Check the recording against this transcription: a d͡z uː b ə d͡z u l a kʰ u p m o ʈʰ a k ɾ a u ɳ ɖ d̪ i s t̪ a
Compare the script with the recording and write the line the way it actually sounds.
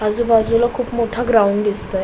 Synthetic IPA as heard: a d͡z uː b a d͡z u l a kʰ uː p m o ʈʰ a ɡ ɾ a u ɳ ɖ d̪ i s t̪ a

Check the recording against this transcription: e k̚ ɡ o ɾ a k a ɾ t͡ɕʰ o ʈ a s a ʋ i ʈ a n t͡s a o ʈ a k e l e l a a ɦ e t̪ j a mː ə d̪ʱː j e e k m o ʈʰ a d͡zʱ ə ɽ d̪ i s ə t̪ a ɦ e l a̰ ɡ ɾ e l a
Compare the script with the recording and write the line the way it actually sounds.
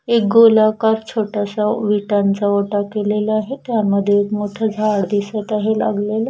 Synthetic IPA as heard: e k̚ ɡ o l a k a ɾ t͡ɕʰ o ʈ a s a ʋ i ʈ a n t͡s a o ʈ a k e l e l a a ɦ e t̪ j a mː ə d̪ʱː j e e k m o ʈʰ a d͡zʱ a ɽ d̪ i s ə t̪ a ɦ e l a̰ ɡ l e l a

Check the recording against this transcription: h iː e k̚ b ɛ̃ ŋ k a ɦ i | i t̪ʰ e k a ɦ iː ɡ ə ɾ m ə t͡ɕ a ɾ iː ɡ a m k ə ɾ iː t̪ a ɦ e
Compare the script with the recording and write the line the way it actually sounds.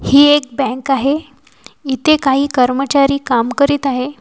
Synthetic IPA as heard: h iː e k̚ b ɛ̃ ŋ k a ɦ e | i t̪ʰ e k a ɦ iː k ə ɾ m ə t͡ɕ a ɾ iː k a m k ə ɾ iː t̪ a ɦ e

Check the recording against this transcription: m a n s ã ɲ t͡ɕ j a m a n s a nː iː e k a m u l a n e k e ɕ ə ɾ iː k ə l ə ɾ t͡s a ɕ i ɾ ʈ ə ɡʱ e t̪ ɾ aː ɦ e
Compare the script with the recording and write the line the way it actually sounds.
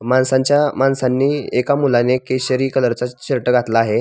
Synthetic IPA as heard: m a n s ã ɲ t͡ɕ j a m a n s a nː iː e k a m u l a n e k e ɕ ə ɾ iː k ə l ə ɾ t͡s a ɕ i ɾ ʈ ə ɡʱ a t̪ l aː ɦ e

